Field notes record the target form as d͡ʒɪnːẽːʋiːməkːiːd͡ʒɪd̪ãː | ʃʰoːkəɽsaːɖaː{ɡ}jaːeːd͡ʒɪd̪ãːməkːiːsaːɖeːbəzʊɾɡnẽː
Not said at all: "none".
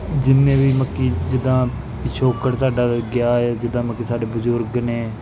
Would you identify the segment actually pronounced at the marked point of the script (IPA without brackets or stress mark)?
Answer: ɡ